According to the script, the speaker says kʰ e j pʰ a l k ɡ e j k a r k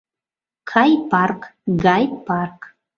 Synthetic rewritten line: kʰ a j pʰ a r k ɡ a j p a r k